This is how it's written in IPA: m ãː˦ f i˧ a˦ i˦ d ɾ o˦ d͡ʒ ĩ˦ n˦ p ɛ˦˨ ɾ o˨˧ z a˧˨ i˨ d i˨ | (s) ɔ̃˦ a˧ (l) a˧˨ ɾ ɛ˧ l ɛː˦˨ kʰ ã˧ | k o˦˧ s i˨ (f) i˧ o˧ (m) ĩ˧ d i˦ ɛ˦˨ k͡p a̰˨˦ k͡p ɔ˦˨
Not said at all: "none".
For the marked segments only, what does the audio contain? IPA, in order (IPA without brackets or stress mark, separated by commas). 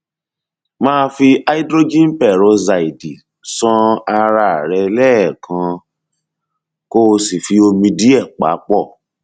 s, ɾ, f, m